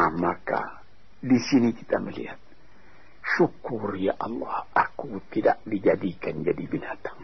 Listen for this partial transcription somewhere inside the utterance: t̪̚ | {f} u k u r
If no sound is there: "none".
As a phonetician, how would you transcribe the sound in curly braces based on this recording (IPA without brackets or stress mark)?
ʃ